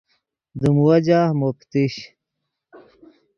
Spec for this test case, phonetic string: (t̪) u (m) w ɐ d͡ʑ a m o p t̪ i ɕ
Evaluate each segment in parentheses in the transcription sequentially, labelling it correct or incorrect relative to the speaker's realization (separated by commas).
incorrect, correct